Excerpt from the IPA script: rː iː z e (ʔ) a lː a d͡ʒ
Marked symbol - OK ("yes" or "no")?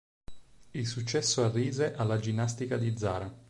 yes